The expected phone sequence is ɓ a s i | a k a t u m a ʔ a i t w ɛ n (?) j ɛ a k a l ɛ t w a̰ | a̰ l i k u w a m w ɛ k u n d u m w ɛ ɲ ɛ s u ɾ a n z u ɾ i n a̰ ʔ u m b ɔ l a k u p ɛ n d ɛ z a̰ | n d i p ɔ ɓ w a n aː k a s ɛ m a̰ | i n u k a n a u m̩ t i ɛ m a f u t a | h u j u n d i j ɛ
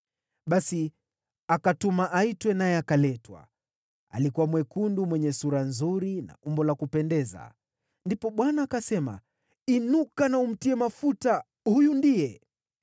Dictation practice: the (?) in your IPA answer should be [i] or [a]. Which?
a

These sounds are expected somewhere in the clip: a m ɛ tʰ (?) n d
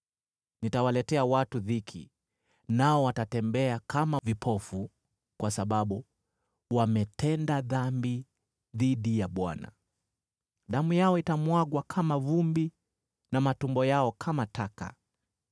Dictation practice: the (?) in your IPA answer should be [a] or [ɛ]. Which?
ɛ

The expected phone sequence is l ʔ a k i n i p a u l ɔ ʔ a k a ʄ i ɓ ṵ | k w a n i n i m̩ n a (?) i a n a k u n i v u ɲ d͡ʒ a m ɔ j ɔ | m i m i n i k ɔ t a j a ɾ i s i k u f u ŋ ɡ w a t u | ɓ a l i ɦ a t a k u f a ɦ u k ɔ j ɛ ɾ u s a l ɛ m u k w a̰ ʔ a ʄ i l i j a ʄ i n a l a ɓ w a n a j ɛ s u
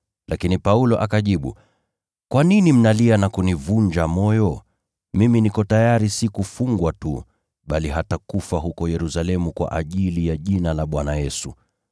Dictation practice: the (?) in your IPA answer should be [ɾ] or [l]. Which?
l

